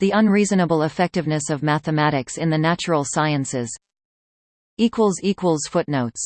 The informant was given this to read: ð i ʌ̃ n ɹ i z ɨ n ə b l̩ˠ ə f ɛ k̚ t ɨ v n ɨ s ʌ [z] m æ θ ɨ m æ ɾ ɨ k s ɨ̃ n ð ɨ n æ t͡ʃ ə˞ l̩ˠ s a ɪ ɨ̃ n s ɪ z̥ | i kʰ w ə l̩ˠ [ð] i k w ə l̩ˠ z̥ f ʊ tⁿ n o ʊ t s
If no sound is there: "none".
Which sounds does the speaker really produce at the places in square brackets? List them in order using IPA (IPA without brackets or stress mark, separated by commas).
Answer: v, z